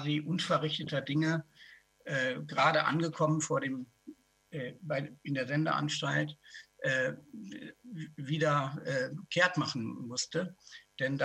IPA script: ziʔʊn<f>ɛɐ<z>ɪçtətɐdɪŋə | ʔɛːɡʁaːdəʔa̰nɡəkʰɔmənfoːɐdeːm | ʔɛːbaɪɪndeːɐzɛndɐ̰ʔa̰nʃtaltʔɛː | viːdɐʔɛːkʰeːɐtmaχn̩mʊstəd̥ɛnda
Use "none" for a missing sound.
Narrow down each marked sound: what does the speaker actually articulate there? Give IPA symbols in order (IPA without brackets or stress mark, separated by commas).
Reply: f, ʁ